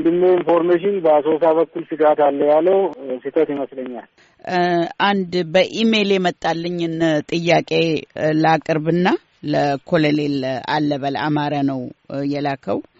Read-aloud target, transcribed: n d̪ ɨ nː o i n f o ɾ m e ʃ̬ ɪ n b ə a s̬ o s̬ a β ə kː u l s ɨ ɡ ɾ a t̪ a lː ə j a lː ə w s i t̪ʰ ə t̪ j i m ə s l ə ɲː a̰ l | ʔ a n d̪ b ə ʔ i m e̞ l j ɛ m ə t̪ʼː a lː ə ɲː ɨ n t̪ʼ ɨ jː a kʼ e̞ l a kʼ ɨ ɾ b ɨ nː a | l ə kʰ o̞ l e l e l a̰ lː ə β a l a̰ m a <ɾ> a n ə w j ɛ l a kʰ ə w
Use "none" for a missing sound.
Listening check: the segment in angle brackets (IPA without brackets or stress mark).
ɾ